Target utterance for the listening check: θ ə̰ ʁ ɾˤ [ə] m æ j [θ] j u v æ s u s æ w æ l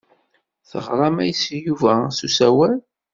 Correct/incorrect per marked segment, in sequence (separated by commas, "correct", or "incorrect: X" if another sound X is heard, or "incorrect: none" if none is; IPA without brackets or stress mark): incorrect: ɑ, incorrect: s